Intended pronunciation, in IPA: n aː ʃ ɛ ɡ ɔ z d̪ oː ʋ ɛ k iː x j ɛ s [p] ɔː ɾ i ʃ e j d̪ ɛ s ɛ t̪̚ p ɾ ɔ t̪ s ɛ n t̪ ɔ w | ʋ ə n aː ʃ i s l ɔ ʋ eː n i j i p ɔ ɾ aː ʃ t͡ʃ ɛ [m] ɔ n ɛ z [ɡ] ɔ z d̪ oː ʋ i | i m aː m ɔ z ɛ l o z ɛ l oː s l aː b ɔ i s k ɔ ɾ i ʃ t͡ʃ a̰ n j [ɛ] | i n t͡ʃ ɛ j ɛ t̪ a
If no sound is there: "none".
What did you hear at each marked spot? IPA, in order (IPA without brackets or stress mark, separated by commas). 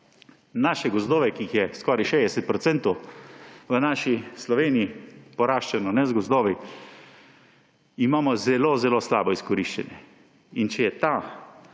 k, n, ɡ, ɛ